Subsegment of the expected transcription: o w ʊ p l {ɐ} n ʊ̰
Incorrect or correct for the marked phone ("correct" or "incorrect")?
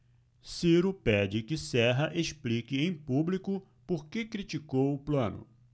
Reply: incorrect